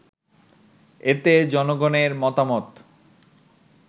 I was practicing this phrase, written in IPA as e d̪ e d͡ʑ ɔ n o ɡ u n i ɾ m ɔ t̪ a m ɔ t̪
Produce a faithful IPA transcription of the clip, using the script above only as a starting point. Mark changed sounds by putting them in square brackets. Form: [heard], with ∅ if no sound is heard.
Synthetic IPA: e [t̪] e d͡ʑ ɔ n o ɡ [o] n [e] ɾ m ɔ t̪ a m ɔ t̪